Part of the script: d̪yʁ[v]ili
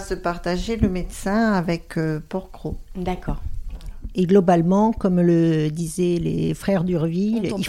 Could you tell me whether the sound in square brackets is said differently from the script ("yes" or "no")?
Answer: no